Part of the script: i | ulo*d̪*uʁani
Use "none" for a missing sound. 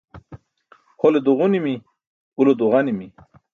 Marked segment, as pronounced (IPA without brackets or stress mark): d̪